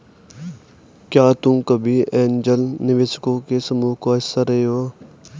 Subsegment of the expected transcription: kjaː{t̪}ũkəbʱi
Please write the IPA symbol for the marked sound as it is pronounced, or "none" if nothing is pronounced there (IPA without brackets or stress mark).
t̪